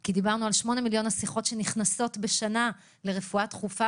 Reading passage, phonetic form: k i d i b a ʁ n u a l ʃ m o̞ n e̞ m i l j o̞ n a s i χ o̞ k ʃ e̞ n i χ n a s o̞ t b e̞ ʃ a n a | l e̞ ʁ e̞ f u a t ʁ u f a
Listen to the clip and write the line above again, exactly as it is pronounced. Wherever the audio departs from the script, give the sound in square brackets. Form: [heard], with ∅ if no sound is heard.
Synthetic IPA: k i d i b a ʁ n u a l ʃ m o̞ n e̞ m i l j o̞ n a s i χ o̞ [t] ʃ e̞ n i χ n a s o̞ t b e̞ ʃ a n a | l e̞ ʁ e̞ f u a t [χ] u f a